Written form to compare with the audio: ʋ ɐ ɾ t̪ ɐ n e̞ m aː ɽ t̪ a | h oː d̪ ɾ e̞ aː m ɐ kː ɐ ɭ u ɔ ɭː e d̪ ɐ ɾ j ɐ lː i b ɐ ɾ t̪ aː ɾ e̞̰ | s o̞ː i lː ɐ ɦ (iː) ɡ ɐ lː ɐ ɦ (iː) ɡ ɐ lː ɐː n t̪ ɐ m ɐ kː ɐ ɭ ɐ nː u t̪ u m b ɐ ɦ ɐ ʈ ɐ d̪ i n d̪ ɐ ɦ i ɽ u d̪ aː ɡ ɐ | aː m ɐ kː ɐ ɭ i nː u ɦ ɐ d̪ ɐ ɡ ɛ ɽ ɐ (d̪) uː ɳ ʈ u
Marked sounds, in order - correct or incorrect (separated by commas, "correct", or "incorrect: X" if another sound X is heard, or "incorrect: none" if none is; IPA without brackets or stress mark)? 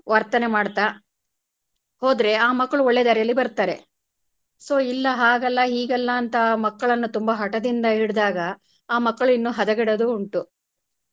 incorrect: aː, correct, correct